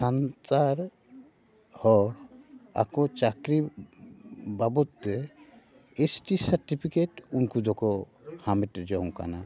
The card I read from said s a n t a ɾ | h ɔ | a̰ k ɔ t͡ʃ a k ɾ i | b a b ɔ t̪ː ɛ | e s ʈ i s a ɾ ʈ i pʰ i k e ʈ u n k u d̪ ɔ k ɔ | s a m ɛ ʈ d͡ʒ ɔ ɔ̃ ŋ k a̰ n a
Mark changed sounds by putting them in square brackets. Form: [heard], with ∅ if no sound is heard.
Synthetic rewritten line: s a n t a ɾ | h ɔ | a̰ k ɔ t͡ʃ a k ɾ i | b a b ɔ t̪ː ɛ | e s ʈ i s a ɾ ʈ i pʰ i k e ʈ u n k u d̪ ɔ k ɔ | [h] a m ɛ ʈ d͡ʒ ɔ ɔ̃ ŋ k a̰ n a